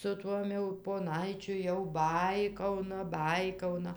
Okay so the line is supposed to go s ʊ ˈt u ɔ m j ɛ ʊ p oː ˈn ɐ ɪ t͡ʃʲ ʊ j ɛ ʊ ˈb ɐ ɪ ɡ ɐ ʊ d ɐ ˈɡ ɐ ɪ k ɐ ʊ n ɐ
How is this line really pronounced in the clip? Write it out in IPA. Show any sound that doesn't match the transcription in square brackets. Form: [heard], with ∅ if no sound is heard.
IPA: s ʊ ˈt u ɔ m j ɛ ʊ p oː ˈn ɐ ɪ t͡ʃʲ ʊ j ɛ ʊ ˈb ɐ ɪ [k] ɐ ʊ [n] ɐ [ˈb] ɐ ɪ k ɐ ʊ n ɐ